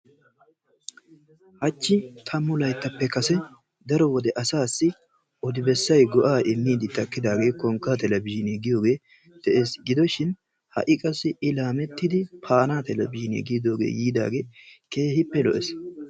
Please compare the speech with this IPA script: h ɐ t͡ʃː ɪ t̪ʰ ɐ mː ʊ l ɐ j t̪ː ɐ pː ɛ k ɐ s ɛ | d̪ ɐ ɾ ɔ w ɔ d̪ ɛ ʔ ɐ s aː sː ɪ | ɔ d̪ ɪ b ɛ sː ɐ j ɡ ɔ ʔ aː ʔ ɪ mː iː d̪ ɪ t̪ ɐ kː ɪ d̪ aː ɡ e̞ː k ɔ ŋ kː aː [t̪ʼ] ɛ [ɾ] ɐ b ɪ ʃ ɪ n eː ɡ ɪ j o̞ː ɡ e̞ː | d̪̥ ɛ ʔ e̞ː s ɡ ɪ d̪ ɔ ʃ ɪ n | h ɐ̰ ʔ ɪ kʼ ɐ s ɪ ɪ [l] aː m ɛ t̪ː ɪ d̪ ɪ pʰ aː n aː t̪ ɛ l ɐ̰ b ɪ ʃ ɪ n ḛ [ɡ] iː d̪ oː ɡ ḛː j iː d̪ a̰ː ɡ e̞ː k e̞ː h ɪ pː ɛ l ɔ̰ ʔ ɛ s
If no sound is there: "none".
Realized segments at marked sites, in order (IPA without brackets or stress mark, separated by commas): t̪, l, l, ɡ